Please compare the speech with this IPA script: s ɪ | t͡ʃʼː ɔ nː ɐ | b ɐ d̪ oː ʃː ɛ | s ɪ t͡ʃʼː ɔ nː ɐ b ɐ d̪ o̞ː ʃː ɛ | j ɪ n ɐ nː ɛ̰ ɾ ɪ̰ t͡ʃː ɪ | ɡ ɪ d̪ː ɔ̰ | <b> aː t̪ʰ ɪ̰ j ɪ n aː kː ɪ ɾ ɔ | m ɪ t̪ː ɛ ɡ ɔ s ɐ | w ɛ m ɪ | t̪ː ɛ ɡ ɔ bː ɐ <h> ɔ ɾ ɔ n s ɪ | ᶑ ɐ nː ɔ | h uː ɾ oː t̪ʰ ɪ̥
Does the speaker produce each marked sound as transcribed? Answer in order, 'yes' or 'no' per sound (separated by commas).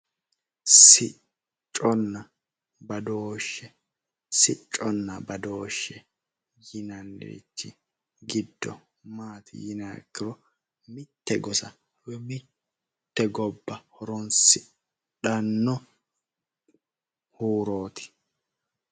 no, yes